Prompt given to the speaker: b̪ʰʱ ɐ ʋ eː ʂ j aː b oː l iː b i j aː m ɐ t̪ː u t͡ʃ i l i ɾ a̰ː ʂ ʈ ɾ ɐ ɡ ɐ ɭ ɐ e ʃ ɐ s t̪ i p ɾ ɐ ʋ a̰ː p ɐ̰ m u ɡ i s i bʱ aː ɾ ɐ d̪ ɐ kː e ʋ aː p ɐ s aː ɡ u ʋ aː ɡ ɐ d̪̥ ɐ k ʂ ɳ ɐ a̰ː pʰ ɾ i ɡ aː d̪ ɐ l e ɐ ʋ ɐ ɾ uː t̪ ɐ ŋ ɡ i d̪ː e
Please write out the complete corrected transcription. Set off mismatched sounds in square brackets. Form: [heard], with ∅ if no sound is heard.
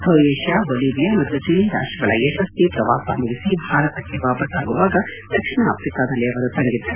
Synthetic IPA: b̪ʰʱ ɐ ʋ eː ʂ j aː b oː l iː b i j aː m ɐ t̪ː u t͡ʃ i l i ɾ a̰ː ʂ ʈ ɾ ɐ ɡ ɐ ɭ ɐ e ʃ ɐ s t̪ i p ɾ ɐ ʋ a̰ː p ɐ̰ m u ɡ i s i bʱ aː ɾ ɐ [t̪] ɐ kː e ʋ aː p ɐ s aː ɡ u ʋ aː ɡ ɐ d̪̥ ɐ k ʂ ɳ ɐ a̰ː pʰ ɾ i [k] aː d̪ ɐ l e ɐ ʋ ɐ ɾ [u] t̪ ɐ ŋ ɡ i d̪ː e